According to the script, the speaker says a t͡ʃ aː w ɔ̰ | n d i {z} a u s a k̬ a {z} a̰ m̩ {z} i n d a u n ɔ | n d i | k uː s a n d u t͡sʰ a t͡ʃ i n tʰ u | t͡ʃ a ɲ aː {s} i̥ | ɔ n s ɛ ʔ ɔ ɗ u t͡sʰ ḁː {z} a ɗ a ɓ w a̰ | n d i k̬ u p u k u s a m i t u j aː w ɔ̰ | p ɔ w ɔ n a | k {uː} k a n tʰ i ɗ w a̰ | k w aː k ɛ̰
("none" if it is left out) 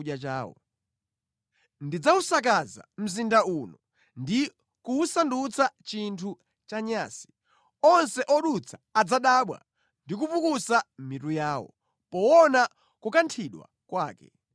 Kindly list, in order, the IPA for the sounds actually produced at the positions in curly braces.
d͡z, z, z, s, d͡z, u

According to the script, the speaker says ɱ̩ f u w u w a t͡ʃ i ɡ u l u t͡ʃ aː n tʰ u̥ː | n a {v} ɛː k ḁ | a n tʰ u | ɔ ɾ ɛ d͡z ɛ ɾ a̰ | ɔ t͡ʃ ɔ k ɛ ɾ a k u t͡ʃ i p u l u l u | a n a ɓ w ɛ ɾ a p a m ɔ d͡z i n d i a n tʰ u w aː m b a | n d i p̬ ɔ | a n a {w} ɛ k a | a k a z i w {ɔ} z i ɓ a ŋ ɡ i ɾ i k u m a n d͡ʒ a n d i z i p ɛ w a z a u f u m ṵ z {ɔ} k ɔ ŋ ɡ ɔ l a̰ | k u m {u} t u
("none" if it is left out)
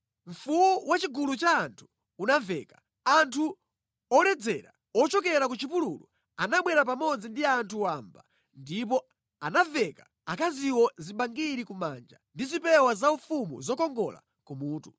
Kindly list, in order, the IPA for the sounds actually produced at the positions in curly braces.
v, v, ɔ, ɔ, uː

